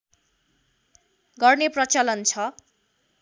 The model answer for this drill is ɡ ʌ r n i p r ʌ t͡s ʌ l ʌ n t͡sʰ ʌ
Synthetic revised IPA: ɡ ʌ r n e p r ʌ t͡s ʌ l ʌ n t͡sʰ ʌ

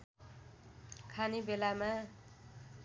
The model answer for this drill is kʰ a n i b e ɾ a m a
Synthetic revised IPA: kʰ a n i b e l a m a

